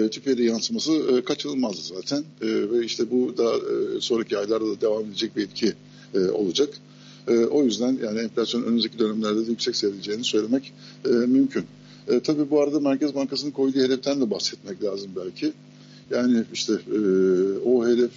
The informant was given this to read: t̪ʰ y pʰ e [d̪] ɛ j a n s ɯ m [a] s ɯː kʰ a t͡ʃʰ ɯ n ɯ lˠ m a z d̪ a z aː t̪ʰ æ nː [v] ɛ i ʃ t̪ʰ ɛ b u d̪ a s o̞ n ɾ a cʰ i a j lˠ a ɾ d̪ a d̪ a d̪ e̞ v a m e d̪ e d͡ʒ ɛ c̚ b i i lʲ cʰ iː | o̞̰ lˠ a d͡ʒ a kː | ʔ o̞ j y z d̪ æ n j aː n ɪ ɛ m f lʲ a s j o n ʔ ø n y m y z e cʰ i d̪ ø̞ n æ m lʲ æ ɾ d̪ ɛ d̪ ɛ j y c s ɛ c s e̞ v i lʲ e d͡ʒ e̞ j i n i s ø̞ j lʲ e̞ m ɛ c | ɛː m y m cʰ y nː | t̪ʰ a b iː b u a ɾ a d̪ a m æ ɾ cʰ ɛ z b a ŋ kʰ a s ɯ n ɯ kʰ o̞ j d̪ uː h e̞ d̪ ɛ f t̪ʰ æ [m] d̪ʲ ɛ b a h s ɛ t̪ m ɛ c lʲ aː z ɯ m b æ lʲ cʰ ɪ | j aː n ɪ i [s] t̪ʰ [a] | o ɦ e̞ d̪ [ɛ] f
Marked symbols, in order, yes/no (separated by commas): yes, yes, yes, no, no, no, yes